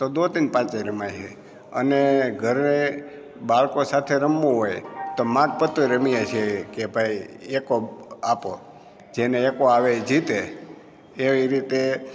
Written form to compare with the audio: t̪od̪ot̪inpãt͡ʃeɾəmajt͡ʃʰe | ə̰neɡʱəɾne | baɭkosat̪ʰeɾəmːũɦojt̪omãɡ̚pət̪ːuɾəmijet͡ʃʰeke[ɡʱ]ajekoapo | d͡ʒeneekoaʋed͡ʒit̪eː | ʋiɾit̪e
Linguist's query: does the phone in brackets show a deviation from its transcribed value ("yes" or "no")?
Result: yes